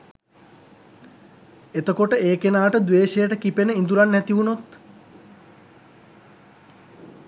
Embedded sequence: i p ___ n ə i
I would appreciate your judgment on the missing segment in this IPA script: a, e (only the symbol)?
e